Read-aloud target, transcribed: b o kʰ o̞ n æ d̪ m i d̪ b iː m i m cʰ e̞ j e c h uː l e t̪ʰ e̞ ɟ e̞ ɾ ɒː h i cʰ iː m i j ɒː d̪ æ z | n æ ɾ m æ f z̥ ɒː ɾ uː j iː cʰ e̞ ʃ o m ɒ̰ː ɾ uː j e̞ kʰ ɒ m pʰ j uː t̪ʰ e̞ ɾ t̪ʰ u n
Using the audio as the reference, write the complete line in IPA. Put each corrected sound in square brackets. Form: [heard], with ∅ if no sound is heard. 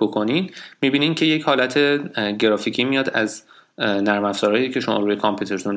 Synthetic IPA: b o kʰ o̞ n [i] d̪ m i [∅] b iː [n] i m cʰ e̞ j e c h [ɒː] l [æ] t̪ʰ e̞ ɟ e̞ ɾ ɒː [f] i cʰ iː m i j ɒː d̪ æ z | n æ ɾ m æ f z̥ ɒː ɾ [ɒː] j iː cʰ e̞ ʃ o m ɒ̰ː ɾ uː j e̞ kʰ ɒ m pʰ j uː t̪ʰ e̞ ɾ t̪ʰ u n